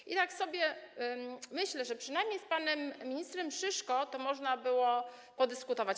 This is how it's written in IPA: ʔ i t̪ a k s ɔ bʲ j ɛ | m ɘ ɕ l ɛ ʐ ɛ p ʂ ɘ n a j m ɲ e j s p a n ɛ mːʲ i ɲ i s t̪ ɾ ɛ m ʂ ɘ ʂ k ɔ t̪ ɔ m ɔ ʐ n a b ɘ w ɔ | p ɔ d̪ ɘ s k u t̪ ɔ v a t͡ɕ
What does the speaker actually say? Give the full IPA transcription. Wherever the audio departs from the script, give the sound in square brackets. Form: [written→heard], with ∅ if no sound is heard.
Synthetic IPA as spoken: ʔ i t̪ a k s ɔ bʲ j ɛ | m ɘ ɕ l ɛ ʐ ɛ p ʂ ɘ n a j m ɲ e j s p a n ɛ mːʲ i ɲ i s t̪ ɾ ɛ m ʂ ɘ ʂ k ɔ t̪ ɔ m ɔ ʐ n a b ɘ w ɔ | p ɔ d̪ ɘ s k u t̪ ɔ v a t͡ɕ